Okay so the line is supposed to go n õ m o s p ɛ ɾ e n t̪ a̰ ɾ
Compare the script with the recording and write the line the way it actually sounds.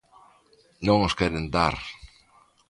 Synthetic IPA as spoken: n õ ŋ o s k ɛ ɾ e n d̪ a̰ ɾ